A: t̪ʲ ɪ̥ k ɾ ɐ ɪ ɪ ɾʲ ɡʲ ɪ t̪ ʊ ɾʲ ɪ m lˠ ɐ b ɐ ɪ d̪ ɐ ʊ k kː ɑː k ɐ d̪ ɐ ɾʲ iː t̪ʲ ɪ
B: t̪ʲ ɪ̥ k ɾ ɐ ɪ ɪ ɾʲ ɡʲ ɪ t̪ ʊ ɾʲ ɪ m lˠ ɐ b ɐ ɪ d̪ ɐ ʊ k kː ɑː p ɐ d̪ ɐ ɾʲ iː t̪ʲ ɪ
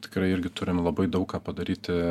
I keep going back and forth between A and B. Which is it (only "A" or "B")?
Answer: B